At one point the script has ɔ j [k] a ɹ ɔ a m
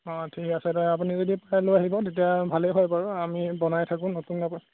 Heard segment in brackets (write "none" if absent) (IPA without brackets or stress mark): p